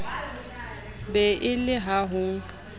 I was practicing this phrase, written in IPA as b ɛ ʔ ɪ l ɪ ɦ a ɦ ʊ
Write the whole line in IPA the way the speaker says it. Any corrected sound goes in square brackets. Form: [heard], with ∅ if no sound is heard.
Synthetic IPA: b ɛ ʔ ɪ l ɪ ɦ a ɦ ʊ